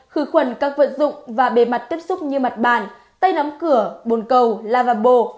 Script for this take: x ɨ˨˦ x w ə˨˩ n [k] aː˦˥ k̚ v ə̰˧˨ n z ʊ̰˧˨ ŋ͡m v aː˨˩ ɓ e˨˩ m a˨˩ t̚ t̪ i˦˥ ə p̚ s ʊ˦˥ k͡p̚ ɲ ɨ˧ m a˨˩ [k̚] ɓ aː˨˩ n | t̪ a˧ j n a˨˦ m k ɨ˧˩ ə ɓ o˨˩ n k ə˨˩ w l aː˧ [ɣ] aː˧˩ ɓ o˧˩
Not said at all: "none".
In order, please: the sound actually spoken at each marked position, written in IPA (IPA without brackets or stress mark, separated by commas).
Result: k, t̚, v